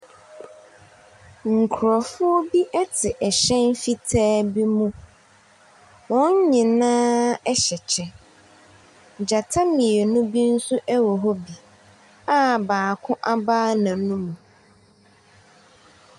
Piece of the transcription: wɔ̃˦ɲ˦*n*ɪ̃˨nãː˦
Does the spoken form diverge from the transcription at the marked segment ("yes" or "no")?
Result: yes